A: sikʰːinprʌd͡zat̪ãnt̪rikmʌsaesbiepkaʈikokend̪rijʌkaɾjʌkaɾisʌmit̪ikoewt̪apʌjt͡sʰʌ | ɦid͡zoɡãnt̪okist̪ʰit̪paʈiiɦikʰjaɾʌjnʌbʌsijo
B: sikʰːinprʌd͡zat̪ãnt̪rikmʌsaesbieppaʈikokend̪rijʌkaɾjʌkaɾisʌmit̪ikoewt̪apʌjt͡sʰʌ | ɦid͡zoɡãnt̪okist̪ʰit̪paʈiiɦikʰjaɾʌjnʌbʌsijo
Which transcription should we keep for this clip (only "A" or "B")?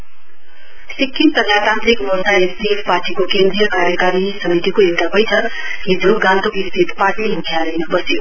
B